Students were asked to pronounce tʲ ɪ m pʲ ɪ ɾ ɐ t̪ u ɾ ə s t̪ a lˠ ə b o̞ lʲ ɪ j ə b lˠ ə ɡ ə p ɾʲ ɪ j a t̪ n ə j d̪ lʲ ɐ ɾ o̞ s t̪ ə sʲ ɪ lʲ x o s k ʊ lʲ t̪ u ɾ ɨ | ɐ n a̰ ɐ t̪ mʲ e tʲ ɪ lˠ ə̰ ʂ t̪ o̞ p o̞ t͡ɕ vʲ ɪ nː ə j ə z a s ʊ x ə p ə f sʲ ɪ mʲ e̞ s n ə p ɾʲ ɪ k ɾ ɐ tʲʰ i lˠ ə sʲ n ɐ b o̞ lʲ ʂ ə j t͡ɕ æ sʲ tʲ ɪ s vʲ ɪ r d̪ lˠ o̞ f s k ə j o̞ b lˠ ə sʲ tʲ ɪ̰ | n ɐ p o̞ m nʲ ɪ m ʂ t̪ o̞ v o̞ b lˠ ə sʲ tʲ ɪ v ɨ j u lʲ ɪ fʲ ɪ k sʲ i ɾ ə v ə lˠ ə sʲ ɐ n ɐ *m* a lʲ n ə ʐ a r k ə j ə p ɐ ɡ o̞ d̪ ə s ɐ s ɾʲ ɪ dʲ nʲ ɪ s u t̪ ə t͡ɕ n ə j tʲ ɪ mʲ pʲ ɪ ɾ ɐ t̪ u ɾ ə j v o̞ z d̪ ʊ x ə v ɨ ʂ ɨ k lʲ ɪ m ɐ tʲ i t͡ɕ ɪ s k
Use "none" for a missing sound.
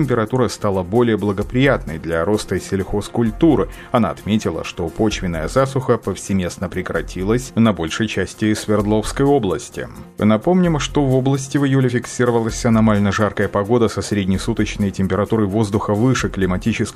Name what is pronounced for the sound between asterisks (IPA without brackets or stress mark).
m